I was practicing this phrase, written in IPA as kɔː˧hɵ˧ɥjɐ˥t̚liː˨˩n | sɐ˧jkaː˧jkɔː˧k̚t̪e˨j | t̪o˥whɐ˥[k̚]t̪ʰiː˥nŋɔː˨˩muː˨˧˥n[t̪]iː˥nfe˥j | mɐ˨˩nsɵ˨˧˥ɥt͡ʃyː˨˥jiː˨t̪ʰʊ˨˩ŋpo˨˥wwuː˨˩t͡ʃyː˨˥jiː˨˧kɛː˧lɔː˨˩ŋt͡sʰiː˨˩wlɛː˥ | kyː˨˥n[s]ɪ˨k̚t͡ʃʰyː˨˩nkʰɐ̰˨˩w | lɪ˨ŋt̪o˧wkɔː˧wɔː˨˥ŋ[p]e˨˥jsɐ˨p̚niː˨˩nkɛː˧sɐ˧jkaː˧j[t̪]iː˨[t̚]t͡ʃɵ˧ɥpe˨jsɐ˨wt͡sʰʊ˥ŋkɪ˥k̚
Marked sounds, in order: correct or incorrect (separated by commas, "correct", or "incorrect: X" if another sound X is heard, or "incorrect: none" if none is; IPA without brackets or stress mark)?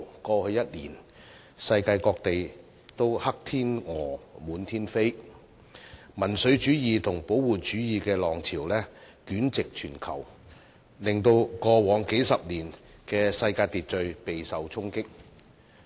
correct, incorrect: t̪ʰ, incorrect: t͡s, incorrect: k, correct, correct